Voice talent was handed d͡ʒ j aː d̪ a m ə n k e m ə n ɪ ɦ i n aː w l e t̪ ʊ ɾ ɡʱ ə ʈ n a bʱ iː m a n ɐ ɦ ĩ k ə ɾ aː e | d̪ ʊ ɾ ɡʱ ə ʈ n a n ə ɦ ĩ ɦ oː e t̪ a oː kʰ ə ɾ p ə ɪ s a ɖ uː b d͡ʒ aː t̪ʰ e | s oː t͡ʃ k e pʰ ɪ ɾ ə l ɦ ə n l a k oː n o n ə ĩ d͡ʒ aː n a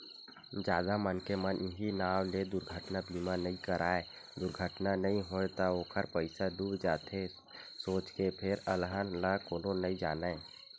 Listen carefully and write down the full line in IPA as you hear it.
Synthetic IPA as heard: d͡ʒ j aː d̪ a m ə n k e m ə n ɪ ɦ i n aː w l e d̪ ʊ ɾ ɡʱ ə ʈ n a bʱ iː m a n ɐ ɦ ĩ k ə ɾ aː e | d̪ ʊ ɾ ɡʱ ə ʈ n a n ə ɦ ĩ ɦ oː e t̪ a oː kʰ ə ɾ p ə ɪ s a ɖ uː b d͡ʒ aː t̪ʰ e | s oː t͡ʃ k e pʰ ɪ ɾ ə l ɦ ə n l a k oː n o n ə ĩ d͡ʒ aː n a

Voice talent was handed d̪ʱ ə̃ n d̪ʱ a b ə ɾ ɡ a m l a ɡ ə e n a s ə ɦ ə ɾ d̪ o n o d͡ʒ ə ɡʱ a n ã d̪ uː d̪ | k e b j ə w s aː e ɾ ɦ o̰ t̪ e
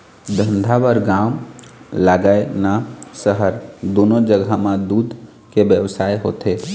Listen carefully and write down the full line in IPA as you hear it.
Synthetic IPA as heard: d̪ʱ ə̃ n d̪ʱ a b ə ɾ ɡ a m l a ɡ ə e n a s ə ɦ ə ɾ d̪ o n o d͡ʒ ə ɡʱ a m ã d̪ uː d̪ | k e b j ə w s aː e ɦ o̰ t̪ e

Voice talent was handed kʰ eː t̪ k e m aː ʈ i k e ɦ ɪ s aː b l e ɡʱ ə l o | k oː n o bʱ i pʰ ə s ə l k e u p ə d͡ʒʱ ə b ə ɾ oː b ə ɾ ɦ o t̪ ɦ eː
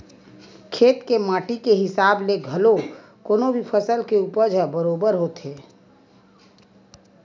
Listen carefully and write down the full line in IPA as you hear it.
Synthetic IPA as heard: kʰ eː t̪ k e m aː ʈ i k e ɦ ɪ s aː b l e ɡʱ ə l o | k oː n o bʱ i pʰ ə s ə l k e u p ə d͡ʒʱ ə b ə ɾ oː b ə ɾ ɦ o t̪ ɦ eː

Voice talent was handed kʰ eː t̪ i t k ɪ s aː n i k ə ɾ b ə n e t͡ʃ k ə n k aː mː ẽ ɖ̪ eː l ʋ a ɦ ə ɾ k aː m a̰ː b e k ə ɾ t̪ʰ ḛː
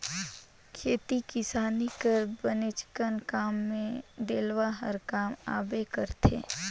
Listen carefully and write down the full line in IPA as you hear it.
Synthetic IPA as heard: kʰ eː t̪ i t k ɪ s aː n i k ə ɾ b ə n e t͡ʃ k ə n k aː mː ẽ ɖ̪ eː l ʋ a ɦ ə ɾ k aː m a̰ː b e k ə ɾ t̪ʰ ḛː

